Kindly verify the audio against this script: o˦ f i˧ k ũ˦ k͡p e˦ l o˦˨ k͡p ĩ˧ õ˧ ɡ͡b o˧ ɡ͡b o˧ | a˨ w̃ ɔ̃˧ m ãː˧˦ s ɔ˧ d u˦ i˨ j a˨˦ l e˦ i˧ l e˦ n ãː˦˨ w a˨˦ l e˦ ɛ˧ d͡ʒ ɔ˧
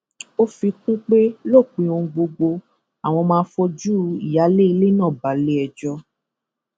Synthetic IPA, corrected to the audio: o˦ f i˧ k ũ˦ k͡p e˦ l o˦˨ k͡p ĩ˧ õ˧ ɡ͡b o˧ ɡ͡b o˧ | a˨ w̃ ɔ̃˧ m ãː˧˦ f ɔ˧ d͡ʒ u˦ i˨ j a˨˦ l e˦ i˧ l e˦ n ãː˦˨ b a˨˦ l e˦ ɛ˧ d͡ʒ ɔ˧